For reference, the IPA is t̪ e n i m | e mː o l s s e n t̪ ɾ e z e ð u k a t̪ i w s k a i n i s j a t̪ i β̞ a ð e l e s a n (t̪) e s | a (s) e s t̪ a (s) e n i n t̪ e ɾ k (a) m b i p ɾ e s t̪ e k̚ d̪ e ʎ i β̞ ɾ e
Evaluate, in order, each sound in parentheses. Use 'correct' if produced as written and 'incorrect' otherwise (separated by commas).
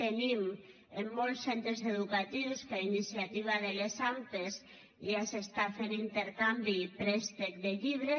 correct, correct, incorrect, correct